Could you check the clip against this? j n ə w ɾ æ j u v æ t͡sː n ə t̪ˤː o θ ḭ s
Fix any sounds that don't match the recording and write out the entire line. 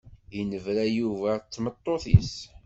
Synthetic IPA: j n ə v ɾ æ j u v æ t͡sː m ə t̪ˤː o θ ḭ s